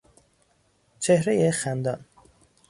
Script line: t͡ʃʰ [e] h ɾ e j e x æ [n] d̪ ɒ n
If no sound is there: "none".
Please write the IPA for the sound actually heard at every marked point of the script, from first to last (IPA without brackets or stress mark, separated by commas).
e, n